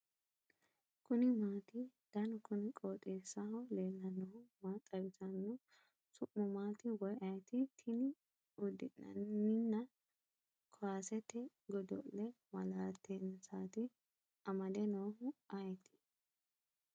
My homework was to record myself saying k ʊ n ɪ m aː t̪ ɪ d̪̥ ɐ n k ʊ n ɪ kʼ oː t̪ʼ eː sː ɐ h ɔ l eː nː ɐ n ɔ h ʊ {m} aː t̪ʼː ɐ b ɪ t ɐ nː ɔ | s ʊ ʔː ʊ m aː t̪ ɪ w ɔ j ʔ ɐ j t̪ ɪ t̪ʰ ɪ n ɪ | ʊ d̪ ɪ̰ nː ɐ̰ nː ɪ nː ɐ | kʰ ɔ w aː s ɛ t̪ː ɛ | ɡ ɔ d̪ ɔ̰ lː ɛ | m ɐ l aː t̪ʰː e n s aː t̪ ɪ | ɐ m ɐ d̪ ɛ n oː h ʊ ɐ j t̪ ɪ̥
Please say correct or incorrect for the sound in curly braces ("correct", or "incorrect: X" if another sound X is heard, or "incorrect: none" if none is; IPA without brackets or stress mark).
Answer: correct